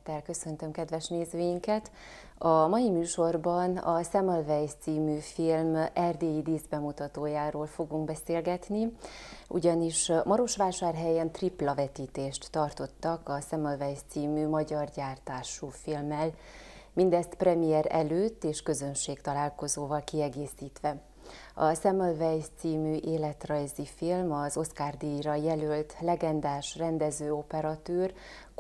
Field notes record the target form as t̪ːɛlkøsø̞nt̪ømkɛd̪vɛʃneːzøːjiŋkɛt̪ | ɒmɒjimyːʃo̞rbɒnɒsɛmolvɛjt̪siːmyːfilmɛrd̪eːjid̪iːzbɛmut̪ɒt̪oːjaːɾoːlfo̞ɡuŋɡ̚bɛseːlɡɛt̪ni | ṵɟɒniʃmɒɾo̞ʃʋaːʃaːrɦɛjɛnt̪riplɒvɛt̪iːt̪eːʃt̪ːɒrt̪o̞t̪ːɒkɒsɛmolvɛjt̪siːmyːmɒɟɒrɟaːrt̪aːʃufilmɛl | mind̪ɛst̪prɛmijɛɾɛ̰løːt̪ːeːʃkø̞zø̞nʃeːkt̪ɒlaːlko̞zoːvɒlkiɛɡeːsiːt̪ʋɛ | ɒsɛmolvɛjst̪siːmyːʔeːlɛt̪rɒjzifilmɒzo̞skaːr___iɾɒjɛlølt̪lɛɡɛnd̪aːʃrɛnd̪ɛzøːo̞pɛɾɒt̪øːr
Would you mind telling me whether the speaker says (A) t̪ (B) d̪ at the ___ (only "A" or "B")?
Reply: B